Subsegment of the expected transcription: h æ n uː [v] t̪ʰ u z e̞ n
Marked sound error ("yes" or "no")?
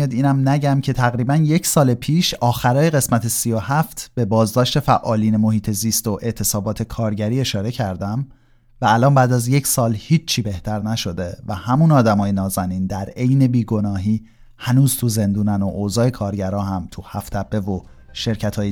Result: yes